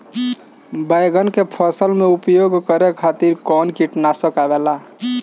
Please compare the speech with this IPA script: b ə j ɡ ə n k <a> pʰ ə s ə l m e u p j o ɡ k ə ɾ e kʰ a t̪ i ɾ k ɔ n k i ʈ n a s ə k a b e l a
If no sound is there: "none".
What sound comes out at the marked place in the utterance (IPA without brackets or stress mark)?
e